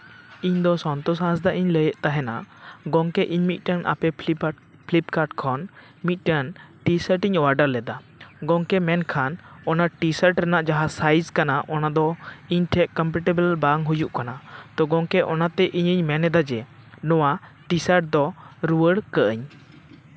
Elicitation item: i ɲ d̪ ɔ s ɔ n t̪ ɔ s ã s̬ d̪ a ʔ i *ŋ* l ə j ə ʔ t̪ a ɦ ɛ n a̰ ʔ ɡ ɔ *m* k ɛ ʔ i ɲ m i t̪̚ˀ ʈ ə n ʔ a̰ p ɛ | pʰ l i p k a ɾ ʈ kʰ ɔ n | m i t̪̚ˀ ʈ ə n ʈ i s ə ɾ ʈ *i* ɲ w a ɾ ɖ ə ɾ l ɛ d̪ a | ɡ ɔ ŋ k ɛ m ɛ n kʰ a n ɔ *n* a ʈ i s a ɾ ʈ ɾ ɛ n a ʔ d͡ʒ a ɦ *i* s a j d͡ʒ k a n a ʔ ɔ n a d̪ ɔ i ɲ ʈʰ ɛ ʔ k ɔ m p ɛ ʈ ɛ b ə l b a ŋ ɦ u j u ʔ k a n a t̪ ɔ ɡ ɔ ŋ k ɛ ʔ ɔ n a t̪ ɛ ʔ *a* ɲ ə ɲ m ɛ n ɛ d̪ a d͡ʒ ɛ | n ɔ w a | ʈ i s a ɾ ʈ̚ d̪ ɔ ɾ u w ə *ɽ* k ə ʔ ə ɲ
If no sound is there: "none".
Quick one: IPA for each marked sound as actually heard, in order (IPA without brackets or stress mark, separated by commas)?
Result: ɲ, ŋ, i, n, a, i, ɽ